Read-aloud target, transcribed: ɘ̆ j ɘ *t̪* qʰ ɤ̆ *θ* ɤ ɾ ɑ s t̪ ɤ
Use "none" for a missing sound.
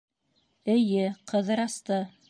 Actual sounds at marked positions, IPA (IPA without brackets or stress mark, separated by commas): none, ð